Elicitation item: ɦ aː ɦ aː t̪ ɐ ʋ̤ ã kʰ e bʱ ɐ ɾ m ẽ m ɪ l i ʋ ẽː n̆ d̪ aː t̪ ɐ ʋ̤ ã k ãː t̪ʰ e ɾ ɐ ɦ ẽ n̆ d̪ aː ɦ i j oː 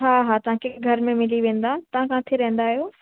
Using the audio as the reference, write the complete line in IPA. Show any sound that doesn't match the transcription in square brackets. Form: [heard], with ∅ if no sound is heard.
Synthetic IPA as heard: ɦ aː ɦ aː t̪ ɐ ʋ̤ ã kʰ e [ɡʱ] ɐ ɾ m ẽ m ɪ l i ʋ ẽː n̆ d̪ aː t̪ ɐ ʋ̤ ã k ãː t̪ʰ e ɾ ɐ ɦ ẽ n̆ d̪ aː ɦ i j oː